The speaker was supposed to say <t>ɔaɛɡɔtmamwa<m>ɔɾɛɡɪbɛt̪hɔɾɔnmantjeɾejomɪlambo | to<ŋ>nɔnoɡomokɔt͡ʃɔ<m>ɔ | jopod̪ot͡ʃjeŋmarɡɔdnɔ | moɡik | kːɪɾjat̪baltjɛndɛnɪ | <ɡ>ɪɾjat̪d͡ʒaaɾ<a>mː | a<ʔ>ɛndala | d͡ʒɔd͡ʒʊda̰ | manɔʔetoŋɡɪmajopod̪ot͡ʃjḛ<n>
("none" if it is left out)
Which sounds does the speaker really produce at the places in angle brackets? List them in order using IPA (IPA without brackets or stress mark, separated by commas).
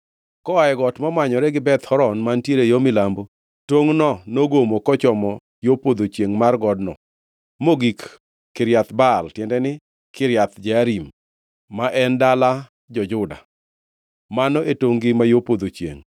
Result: k, ɲ, ŋ, m, k, i, ʔ, ŋ